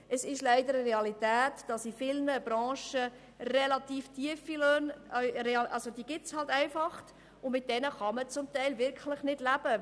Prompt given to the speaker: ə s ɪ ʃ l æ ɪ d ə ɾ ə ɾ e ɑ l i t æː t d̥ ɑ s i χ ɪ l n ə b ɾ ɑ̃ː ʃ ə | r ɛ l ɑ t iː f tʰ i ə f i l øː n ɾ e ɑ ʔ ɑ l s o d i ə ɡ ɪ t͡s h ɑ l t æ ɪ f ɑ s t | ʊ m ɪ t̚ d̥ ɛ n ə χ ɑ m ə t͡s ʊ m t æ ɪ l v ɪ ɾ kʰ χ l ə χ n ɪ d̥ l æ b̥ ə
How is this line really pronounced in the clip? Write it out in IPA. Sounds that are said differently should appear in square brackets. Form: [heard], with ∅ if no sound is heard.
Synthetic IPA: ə s ɪ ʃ l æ ɪ d ə ɾ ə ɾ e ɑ l i t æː t d̥ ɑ s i [f] ɪ l n ə b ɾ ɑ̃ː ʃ ə | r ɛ l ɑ t iː f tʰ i ə f i l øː n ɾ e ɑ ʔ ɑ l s o d i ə ɡ ɪ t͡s h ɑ l t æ ɪ f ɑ [χ] t | ʊ m ɪ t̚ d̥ ɛ n ə χ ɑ m ə t͡s ʊ m t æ ɪ l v ɪ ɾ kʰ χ l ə χ n ɪ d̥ l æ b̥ ə